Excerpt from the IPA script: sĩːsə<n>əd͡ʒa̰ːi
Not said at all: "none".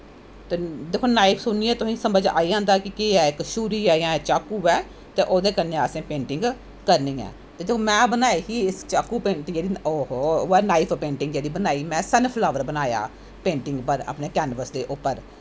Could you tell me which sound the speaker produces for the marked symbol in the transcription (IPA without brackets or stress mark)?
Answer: m